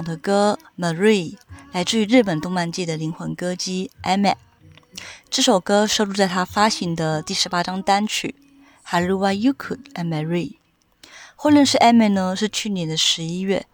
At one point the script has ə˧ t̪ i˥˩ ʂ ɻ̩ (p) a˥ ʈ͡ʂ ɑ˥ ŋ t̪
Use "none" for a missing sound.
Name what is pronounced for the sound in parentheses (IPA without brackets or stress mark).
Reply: p